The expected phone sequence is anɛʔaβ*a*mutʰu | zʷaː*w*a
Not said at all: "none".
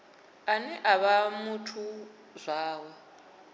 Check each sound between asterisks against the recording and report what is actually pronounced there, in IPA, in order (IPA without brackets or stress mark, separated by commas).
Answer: a, w